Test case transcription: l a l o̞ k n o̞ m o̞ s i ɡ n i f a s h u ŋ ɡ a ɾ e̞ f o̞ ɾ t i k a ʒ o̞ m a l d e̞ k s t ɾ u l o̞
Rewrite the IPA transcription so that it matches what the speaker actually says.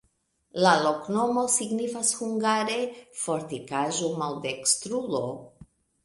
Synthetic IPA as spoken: l a l o̞ k n o̞ m o̞ s i ɡ n i f a s h u ŋ ɡ a ɾ e̞ f o̞ ɾ t i k a ʒ o̞ m a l d e̞ k s t ɾ u l o̞

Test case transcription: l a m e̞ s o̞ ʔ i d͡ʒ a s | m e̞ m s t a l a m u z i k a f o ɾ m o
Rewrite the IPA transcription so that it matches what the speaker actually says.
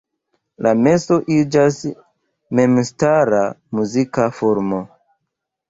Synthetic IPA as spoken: l a m e̞ s o̞ ʔ i d͡ʒ a s | m e̞ m s t a ɾ a m u z i k a f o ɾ m o

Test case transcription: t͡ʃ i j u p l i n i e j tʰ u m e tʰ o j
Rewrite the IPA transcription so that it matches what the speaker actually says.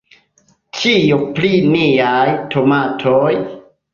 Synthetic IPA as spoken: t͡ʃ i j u p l i n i a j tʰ o m a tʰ o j

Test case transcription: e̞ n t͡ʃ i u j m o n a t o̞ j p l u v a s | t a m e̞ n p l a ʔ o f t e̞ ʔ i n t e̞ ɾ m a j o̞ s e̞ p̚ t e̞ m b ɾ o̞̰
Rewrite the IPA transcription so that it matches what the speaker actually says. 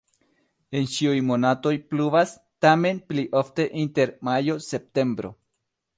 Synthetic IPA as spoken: e̞ n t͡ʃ i u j m o n a t o̞ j p l u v a s | t a m e̞ n p l i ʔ o f t e̞ ʔ i n t e̞ ɾ m a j o̞ s e̞ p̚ t e̞ m b ɾ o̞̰

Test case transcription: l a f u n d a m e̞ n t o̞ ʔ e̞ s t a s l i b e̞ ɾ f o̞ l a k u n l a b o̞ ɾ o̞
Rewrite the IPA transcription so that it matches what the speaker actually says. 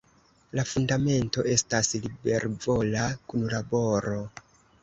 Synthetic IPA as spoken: l a f u n d a m e̞ n t o̞ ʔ e̞ s t a s l i b e̞ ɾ v o̞ l a k u n l a b o̞ ɾ o̞

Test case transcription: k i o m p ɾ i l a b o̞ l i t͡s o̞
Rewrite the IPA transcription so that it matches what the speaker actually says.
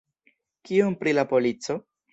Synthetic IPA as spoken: k i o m p ɾ i l a p o̞ l i t͡s o̞

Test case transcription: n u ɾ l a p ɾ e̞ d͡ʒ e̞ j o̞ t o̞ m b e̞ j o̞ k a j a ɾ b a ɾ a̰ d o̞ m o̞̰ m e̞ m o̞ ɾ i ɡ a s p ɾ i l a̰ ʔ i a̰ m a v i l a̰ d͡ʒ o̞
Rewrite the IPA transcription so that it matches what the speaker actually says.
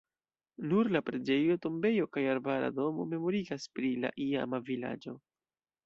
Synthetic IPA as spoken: n u ɾ l a p ɾ e̞ d͡ʒ e̞ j o̞ t o̞ m b e̞ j o̞ k a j a ɾ b a ɾ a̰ d o̞ m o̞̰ m e̞ m o̞ ɾ i ɡ a s p ɾ i l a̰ ʔ i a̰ m a v i l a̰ d͡ʒ o̞

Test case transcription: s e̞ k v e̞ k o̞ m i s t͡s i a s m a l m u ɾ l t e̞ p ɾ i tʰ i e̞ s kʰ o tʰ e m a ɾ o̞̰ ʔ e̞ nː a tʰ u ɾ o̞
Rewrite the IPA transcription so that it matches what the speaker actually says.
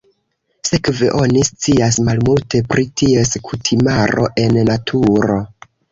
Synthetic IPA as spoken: s e̞ k v e̞ ʔ o̞ n i s t͡s i a s m a l m u l t e̞ p ɾ i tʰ i e̞ s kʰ u tʰ i m a ɾ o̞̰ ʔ e̞ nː a tʰ u ɾ o̞

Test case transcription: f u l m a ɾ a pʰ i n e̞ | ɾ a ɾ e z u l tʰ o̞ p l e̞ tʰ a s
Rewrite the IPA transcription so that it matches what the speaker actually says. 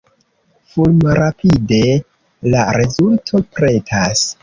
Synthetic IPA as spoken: f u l m a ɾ a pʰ i d e̞ | l a ɾ e z u l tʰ o̞ p ɾ e̞ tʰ a s

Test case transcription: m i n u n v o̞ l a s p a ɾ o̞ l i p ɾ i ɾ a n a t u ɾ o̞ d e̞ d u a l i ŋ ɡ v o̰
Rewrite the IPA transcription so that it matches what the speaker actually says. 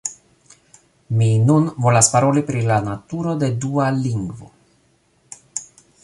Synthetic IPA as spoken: m i n u n v o̞ l a s p a ɾ o̞ l i p ɾ i l a n a t u ɾ o̞ d e̞ d u a l i ŋ ɡ v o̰

